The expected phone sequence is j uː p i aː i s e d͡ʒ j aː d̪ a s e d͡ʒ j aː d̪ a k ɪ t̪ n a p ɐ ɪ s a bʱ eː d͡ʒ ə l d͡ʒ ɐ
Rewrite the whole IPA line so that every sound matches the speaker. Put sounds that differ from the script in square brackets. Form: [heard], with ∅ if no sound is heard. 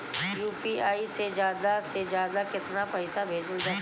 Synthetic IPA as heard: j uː p i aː i s e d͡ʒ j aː d̪ a s e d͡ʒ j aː d̪ a k ɪ t̪ n a p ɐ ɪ s a bʱ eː d͡ʒ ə l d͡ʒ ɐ